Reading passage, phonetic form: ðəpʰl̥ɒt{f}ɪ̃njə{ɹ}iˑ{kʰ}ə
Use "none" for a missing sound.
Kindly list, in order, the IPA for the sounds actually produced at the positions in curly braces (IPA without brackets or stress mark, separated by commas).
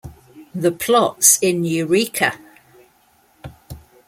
s, ɹ, kʰ